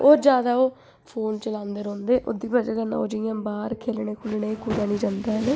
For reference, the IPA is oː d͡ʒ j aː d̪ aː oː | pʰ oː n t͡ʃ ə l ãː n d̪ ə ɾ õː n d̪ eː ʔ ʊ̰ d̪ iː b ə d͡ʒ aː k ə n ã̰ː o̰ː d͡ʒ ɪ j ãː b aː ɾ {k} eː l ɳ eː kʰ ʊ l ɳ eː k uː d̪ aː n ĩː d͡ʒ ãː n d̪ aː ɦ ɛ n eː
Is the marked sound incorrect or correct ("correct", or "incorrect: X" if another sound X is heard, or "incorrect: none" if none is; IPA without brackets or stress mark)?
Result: incorrect: kʰ